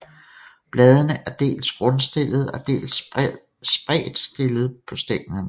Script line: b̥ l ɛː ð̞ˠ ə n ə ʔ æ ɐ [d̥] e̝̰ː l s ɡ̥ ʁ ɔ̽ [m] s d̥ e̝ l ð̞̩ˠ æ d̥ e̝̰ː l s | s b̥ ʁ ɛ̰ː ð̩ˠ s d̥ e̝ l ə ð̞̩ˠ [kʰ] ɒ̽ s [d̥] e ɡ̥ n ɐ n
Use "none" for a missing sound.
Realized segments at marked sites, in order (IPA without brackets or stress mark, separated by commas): d̥, n, pʰ, d̥